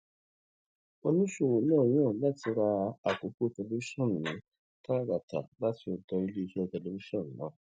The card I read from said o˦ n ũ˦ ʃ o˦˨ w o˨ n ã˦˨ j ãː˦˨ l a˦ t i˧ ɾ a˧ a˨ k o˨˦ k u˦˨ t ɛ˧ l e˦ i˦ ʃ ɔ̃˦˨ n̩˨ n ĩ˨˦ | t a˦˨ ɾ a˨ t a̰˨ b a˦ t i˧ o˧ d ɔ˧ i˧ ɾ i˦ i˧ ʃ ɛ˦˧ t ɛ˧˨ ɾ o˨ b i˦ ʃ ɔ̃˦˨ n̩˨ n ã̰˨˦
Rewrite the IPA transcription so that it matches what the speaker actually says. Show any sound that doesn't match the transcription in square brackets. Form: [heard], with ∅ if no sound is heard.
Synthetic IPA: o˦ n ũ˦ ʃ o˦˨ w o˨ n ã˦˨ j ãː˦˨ l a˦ t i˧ ɾ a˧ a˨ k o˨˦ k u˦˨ t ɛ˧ l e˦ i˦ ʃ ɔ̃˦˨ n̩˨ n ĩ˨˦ | t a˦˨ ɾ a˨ t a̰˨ b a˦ t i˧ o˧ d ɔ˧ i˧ [l] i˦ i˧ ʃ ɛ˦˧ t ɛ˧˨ [l] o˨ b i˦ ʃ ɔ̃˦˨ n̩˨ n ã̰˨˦